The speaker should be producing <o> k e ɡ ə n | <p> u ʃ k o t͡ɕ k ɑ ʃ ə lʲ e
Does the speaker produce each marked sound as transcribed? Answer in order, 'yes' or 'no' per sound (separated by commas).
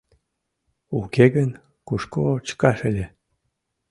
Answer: no, no